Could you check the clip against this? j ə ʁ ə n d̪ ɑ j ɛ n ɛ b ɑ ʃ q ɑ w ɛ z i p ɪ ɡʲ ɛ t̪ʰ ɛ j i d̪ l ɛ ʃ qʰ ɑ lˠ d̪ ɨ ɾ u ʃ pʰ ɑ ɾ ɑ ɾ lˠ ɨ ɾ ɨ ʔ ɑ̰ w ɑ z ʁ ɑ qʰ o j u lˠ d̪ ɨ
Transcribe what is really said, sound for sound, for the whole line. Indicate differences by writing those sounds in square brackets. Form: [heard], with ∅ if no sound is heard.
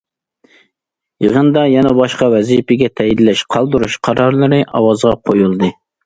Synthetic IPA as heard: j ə ʁ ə n d̪ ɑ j ɛ n ɛ b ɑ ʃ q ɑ w ɛ z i p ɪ ɡʲ ɛ t̪ʰ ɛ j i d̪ l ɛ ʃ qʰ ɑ lˠ d̪ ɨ ɾ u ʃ [qʰ] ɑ ɾ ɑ ɾ lˠ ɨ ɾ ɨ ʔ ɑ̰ w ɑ z ʁ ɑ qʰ o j u lˠ d̪ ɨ